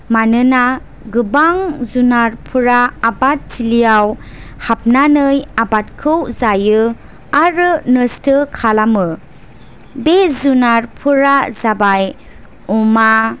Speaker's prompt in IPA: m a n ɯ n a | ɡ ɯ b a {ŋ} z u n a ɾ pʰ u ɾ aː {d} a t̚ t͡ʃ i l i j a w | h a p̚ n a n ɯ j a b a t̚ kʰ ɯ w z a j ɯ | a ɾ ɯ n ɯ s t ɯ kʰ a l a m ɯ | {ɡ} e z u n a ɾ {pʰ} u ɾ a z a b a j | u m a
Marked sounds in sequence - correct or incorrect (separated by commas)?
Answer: correct, incorrect, incorrect, correct